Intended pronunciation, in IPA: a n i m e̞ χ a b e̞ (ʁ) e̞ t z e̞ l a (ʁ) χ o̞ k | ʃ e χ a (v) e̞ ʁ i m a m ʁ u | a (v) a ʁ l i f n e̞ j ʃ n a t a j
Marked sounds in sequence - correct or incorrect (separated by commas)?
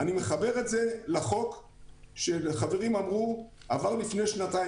correct, incorrect, correct, correct